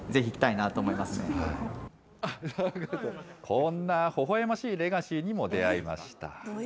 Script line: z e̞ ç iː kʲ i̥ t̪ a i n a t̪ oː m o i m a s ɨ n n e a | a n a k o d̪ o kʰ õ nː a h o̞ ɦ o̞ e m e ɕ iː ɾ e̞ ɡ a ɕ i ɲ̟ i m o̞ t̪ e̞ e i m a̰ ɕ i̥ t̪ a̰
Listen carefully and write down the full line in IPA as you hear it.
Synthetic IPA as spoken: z e̞ ç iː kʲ i̥ t̪ a i n a t̪ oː m o i m a s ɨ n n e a | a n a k o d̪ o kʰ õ nː a h o̞ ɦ o̞ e m a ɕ iː ɾ e̞ ɡ a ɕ i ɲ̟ i m o̞ d̪ e̞ a i m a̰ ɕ i̥ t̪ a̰